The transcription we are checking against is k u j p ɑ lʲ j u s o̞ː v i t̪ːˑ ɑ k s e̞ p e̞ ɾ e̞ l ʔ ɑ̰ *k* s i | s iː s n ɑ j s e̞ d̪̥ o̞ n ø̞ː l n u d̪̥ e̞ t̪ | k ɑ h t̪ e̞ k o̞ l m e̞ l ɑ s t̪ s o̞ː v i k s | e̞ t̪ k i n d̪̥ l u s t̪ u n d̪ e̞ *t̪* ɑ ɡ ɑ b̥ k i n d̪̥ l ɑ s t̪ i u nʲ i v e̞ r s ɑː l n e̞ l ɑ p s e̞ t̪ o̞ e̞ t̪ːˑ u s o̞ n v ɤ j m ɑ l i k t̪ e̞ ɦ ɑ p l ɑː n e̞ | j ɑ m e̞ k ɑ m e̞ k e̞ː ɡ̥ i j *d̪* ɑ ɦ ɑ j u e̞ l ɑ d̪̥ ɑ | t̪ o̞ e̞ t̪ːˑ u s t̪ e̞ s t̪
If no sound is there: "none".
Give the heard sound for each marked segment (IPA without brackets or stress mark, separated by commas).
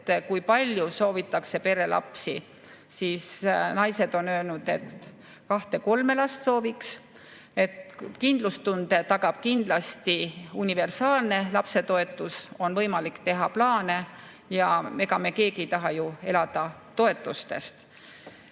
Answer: p, t̪, t̪